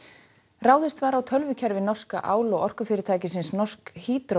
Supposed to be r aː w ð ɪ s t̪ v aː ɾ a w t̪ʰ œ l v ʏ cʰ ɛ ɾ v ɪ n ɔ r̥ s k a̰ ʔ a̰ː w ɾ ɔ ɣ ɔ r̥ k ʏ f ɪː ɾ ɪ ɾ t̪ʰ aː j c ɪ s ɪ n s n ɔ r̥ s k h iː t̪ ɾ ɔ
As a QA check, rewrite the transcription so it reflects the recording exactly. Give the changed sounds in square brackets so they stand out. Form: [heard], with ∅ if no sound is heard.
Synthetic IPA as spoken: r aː w ð ɪ s t̪ v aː ɾ a w t̪ʰ œ l v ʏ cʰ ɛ ɾ v ɪ n ɔ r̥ s k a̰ ʔ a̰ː w [l] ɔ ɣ ɔ r̥ k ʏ f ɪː ɾ ɪ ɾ t̪ʰ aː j c ɪ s ɪ n s n ɔ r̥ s k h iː t̪ ɾ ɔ